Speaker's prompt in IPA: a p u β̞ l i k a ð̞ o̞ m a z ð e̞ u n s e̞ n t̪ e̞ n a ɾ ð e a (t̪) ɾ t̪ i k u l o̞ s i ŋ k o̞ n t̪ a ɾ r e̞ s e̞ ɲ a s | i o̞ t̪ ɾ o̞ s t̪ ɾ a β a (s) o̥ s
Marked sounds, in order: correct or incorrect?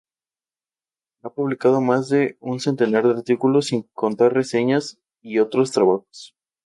incorrect, incorrect

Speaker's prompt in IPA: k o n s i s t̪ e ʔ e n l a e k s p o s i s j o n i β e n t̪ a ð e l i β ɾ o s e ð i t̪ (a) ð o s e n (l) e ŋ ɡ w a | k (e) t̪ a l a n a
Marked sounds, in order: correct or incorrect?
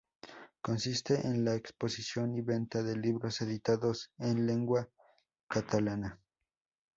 correct, correct, incorrect

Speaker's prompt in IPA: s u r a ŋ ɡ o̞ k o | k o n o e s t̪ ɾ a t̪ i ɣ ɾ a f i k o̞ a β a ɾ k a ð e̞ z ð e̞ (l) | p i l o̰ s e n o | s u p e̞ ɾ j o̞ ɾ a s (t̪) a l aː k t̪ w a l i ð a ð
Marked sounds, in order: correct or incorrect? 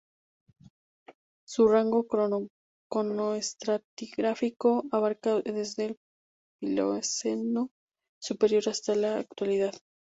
correct, correct

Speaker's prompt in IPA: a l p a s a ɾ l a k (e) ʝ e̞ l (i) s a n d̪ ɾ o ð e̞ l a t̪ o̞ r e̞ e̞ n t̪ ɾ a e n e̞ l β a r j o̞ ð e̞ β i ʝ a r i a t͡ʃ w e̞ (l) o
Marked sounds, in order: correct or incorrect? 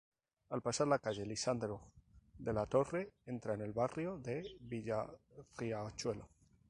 incorrect, correct, correct

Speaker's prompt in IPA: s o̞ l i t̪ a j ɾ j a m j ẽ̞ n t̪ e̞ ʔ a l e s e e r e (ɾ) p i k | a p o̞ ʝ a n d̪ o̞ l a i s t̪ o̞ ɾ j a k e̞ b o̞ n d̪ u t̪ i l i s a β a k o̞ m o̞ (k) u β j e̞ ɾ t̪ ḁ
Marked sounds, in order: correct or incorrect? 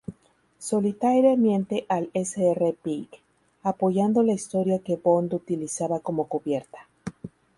incorrect, correct

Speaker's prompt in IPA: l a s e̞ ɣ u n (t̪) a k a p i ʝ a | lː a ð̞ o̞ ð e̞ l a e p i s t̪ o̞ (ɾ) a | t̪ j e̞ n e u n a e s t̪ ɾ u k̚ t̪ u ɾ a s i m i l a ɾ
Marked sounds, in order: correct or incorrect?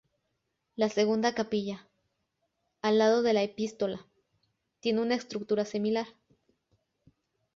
incorrect, incorrect

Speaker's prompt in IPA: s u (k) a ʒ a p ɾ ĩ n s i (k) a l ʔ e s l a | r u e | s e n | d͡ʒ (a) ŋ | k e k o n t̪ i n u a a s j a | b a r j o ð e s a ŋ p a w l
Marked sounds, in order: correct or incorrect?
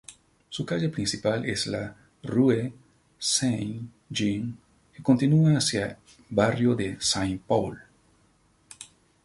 correct, incorrect, incorrect

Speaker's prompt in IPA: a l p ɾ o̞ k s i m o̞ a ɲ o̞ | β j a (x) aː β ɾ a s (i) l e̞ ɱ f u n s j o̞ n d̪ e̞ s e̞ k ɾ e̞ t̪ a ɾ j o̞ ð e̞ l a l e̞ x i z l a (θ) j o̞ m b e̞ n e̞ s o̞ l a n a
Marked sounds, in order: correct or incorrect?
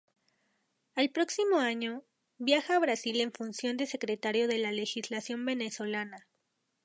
correct, correct, incorrect

